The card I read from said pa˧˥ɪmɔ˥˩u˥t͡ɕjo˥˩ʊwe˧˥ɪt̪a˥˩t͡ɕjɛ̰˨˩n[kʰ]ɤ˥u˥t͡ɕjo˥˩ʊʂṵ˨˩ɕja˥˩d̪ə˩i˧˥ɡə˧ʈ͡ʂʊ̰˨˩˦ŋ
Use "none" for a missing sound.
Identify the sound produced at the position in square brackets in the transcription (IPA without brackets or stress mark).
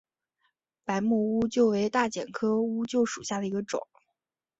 kʰ